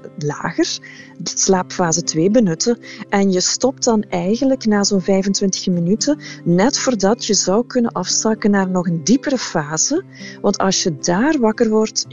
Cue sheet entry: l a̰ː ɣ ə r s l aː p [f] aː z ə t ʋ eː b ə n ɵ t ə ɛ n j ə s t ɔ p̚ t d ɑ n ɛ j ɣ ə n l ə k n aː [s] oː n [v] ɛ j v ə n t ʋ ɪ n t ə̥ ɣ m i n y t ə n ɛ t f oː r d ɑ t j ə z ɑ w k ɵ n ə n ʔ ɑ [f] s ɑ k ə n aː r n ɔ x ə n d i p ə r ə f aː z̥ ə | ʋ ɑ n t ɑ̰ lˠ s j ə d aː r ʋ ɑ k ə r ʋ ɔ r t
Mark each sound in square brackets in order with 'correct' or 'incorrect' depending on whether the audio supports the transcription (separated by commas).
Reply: correct, incorrect, correct, correct